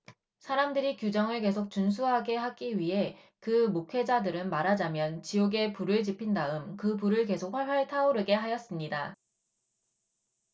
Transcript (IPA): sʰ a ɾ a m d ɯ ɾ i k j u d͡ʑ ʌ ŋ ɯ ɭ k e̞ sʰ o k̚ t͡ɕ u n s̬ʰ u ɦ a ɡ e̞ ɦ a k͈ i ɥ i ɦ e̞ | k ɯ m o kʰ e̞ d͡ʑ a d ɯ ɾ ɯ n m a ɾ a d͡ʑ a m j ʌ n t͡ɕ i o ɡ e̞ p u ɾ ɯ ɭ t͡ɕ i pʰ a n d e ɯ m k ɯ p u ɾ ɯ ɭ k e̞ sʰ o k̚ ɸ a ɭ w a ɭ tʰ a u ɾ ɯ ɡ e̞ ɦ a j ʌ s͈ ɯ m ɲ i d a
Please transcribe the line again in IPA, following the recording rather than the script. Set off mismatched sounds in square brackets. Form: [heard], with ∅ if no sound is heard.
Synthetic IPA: sʰ a ɾ a m d ɯ ɾ i k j u d͡ʑ ʌ ŋ ɯ ɭ k e̞ sʰ o k̚ t͡ɕ u n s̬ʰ u ɦ a ɡ e̞ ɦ a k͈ i ɥ i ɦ e̞ | k ɯ m o kʰ e̞ d͡ʑ a d ɯ ɾ ɯ n m a ɾ a d͡ʑ a m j ʌ n t͡ɕ i o ɡ e̞ p u ɾ ɯ ɭ t͡ɕ i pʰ [i] n d [a] ɯ m k ɯ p u ɾ ɯ ɭ k e̞ sʰ o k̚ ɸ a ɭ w a ɭ tʰ a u ɾ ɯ ɡ e̞ ɦ a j ʌ s͈ ɯ m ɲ i d a

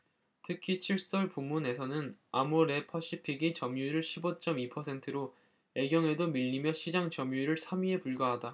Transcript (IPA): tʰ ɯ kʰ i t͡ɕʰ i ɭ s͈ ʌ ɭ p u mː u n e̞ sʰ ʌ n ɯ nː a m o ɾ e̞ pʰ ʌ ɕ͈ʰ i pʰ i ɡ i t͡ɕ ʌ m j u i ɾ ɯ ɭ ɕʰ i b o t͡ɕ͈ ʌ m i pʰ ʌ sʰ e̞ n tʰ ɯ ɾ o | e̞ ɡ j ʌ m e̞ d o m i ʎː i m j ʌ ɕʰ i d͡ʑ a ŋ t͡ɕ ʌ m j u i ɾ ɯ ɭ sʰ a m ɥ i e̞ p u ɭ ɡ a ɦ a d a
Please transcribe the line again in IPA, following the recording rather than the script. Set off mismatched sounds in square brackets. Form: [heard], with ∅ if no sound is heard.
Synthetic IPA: tʰ ɯ kʰ i t͡ɕʰ i ɭ s͈ ʌ ɭ p u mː u n e̞ sʰ ʌ n ɯ [n] a m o ɾ e̞ pʰ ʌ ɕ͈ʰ i pʰ i ɡ i t͡ɕ ʌ m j u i ɾ ɯ ɭ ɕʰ i b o t͡ɕ͈ ʌ m i pʰ ʌ sʰ e̞ n tʰ ɯ ɾ o | e̞ ɡ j ʌ [ŋ] e̞ d o m i ʎː i m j ʌ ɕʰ i d͡ʑ a ŋ t͡ɕ ʌ m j u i ɾ ɯ ɭ sʰ a m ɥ i e̞ p u ɭ ɡ a ɦ a d a

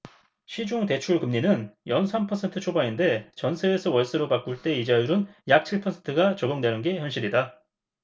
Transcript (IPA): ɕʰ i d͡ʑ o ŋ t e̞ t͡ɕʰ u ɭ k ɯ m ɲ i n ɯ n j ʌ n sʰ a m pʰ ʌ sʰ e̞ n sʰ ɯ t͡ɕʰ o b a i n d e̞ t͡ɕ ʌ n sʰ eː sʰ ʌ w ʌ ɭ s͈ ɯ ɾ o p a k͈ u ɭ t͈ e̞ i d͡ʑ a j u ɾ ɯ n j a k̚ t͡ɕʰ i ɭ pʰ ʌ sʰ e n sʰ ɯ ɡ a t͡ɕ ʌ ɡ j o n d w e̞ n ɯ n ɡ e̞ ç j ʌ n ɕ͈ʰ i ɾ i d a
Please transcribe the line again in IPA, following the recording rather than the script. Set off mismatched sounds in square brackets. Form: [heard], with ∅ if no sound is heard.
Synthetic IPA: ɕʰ i d͡ʑ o ŋ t e̞ t͡ɕʰ u ɭ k ɯ m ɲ i n ɯ n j ʌ n sʰ a m pʰ ʌ sʰ e̞ n [tʰ] ɯ t͡ɕʰ o b a i n d e̞ t͡ɕ ʌ n sʰ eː sʰ ʌ w ʌ ɭ s͈ ɯ ɾ o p a k͈ u ɭ t͈ e̞ i d͡ʑ a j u ɾ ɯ n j a k̚ t͡ɕʰ i ɭ pʰ ʌ sʰ e n [tʰ] ɯ ɡ a t͡ɕ ʌ ɡ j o [ŋ] d w e̞ n ɯ n ɡ e̞ ç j ʌ n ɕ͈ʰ i ɾ i d a

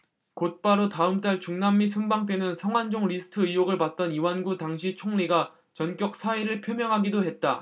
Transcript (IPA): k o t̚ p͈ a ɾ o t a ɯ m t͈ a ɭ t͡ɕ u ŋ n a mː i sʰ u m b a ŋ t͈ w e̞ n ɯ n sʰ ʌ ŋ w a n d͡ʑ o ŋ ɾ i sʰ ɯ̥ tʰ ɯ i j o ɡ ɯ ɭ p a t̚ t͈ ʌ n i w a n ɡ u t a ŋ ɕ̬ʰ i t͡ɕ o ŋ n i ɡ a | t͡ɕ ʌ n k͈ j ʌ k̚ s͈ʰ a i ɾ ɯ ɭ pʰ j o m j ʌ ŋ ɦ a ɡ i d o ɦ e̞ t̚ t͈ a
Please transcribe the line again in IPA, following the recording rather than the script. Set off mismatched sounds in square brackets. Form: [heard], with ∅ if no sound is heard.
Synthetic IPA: k o t̚ p͈ a ɾ o t a ɯ m t͈ a ɭ t͡ɕ u ŋ n a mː i sʰ u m b a ŋ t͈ w e̞ n ɯ n sʰ ʌ ŋ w a n d͡ʑ o ŋ ɾ i sʰ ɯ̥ tʰ ɯ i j o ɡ ɯ ɭ p a t̚ t͈ ʌ n i w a n ɡ u t a ŋ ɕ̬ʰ i [t͡ɕʰ] o ŋ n i ɡ a | t͡ɕ ʌ n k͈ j ʌ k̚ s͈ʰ a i ɾ ɯ ɭ pʰ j o m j ʌ ŋ ɦ a ɡ i d o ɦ e̞ t̚ t͈ a

